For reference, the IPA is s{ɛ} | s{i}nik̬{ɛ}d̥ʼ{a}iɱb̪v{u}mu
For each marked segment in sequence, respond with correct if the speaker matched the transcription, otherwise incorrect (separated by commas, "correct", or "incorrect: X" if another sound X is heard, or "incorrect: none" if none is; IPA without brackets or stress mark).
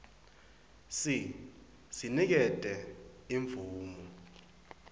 incorrect: i, correct, correct, incorrect: ɛ, incorrect: uː